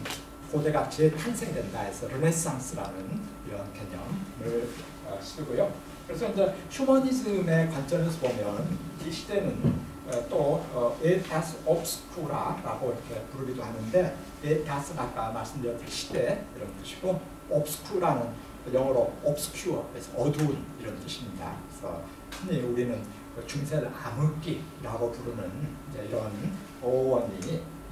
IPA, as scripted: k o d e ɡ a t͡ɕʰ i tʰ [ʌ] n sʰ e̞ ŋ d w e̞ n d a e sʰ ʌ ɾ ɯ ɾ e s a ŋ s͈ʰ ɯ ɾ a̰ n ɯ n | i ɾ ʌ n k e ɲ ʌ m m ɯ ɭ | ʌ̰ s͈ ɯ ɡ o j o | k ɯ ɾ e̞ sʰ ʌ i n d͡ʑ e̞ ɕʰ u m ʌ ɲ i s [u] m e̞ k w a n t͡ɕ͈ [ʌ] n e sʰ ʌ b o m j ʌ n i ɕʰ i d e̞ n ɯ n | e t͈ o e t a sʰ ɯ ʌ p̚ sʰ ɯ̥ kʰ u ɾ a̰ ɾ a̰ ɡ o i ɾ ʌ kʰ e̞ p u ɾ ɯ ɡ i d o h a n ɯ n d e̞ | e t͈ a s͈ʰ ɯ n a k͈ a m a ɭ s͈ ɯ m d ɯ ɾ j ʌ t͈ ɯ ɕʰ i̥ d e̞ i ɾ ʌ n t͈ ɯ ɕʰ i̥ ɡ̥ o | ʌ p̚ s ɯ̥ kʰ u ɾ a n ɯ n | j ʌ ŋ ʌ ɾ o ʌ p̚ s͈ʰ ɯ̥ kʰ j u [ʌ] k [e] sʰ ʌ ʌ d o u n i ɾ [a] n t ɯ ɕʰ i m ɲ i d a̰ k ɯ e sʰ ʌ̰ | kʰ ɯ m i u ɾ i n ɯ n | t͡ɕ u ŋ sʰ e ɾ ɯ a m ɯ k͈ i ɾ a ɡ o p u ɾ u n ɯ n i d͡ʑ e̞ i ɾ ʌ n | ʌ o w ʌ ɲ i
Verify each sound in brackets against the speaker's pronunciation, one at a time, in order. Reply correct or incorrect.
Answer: incorrect: a, incorrect: ɯ, correct, correct, correct, incorrect: ʌ

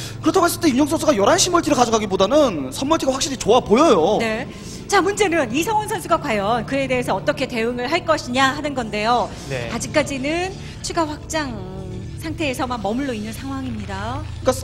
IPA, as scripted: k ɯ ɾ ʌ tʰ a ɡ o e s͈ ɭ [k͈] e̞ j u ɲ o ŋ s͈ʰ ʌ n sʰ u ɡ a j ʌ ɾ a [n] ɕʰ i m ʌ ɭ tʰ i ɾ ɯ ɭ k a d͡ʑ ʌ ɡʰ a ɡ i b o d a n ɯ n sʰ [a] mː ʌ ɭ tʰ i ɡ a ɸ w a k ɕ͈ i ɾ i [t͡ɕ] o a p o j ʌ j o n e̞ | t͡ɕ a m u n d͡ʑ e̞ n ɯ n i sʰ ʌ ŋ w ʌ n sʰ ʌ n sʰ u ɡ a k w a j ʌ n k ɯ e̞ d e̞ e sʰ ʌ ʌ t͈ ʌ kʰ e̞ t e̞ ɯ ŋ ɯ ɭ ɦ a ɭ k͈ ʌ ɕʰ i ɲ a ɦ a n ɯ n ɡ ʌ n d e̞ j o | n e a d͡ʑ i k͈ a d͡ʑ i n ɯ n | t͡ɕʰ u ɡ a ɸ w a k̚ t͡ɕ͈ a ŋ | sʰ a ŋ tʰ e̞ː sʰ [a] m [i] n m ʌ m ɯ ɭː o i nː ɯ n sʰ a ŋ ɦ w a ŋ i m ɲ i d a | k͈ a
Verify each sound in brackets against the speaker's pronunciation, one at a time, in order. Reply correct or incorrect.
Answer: incorrect: t͈, correct, incorrect: ʌ, correct, incorrect: ʌ, incorrect: a

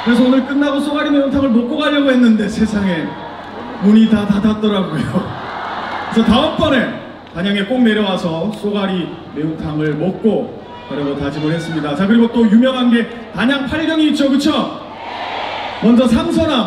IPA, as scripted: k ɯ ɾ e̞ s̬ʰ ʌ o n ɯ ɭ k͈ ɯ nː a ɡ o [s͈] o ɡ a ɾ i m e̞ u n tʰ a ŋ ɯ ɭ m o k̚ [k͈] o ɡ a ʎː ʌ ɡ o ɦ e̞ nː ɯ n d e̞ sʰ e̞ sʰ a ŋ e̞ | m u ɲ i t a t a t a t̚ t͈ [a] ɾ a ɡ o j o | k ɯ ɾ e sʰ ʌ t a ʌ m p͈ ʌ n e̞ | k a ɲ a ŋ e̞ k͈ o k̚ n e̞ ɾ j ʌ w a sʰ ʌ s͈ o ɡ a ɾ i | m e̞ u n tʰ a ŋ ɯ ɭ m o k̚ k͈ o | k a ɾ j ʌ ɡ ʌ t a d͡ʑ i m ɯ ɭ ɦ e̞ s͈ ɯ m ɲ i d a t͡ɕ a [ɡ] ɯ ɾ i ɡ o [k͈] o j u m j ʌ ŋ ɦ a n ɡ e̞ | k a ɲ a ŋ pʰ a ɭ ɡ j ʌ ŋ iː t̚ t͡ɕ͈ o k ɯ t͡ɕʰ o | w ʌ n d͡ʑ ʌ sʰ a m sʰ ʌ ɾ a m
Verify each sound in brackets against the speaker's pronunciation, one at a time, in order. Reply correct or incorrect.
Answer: correct, correct, incorrect: ʌ, incorrect: k, incorrect: t͈

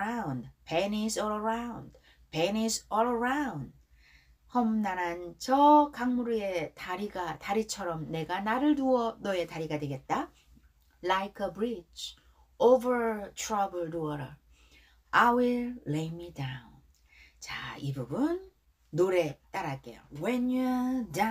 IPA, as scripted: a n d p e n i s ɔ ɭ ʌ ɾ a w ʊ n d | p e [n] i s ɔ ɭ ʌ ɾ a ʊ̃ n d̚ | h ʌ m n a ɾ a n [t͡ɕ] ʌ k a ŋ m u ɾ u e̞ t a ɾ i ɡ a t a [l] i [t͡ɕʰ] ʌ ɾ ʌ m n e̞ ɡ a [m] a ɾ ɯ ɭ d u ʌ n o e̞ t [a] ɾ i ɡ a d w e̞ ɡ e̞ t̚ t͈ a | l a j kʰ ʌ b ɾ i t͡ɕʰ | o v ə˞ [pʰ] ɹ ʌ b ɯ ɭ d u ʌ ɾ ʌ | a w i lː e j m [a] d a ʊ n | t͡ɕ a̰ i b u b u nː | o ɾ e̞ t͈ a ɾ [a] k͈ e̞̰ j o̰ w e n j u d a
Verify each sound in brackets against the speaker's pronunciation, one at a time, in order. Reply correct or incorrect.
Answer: correct, correct, incorrect: ɾ, correct, incorrect: n, correct, incorrect: tʰ, incorrect: i, correct

